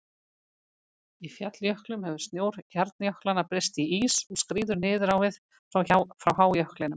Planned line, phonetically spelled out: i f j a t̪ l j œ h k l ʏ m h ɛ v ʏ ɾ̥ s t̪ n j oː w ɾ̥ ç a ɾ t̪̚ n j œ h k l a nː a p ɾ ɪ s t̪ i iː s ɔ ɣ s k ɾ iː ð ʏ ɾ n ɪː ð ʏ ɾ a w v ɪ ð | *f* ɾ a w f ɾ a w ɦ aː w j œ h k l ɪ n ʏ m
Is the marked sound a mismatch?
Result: no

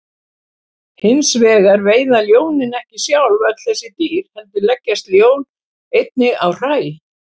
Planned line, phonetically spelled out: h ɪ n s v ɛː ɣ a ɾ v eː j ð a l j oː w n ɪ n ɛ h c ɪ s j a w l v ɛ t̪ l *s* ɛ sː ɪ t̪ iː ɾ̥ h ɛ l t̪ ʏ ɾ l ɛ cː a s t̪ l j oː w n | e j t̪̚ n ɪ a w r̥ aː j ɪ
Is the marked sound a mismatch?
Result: yes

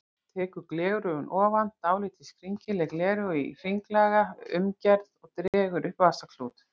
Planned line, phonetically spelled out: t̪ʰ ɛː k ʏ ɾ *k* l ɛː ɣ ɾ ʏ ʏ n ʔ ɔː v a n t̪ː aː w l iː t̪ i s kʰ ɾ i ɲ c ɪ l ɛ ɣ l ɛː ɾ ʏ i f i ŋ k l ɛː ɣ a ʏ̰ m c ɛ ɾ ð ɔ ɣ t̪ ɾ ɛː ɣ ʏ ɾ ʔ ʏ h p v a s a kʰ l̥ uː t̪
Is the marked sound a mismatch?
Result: no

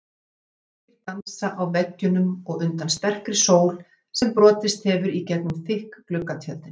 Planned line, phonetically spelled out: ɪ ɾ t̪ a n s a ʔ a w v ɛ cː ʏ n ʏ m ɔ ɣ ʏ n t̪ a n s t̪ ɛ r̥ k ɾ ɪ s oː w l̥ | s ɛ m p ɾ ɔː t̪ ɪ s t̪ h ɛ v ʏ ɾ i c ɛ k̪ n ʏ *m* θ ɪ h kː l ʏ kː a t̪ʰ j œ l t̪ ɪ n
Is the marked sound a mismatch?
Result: no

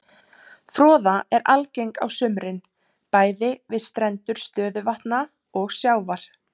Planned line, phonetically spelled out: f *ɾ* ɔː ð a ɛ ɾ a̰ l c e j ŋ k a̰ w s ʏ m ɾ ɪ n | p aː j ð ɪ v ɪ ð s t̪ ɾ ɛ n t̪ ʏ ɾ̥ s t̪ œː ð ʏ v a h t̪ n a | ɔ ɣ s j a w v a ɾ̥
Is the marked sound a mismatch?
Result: no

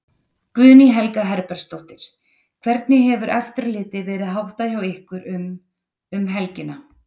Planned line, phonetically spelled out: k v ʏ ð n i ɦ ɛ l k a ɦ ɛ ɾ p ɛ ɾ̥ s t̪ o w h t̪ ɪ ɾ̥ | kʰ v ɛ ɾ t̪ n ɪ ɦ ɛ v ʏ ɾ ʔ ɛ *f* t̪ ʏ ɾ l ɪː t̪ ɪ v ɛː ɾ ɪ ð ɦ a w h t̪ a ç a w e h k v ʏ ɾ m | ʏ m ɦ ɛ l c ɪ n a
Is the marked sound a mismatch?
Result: no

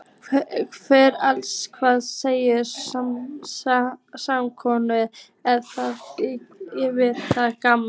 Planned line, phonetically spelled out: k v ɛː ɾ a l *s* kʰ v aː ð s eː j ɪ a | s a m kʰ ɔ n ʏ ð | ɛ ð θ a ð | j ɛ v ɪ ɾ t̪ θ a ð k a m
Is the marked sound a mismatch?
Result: no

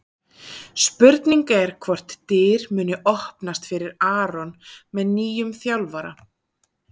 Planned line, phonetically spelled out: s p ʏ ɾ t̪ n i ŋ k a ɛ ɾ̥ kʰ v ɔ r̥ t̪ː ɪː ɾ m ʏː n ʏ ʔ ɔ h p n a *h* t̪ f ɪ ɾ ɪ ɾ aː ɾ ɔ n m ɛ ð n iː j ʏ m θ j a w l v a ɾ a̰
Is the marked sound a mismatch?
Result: yes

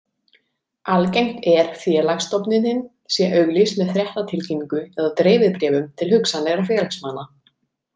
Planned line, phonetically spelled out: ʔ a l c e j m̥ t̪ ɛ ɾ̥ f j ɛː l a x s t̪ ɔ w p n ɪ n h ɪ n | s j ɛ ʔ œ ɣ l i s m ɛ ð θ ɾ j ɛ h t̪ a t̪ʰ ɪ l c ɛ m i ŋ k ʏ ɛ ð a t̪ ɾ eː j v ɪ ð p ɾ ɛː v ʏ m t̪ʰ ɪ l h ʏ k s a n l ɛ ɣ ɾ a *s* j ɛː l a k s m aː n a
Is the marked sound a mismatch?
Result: yes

